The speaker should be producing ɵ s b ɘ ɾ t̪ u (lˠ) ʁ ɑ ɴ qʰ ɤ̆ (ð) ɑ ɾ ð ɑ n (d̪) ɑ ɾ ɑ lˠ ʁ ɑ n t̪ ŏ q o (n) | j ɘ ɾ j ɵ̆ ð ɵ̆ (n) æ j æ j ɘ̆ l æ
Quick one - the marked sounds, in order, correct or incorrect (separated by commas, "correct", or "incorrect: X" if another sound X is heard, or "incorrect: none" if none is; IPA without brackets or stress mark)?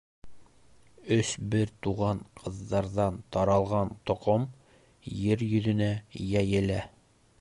incorrect: none, incorrect: ðː, incorrect: t̪, incorrect: m, correct